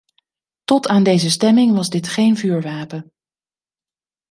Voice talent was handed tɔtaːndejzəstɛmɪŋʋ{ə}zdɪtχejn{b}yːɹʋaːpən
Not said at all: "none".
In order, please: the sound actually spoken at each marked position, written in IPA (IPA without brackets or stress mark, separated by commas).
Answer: ɑ, v